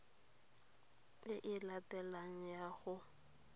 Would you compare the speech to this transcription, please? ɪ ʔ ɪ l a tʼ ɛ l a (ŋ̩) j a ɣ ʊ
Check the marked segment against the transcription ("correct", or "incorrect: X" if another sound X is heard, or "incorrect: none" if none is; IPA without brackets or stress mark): correct